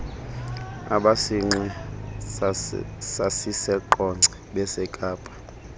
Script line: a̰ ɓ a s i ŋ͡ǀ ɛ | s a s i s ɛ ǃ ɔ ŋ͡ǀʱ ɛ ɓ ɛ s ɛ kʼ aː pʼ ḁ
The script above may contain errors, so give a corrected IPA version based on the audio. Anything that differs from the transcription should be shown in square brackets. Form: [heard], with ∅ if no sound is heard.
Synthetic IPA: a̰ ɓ a s i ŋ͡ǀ ɛ | s a s i s ɛ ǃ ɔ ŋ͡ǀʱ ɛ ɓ ɛ s ɛ kʼ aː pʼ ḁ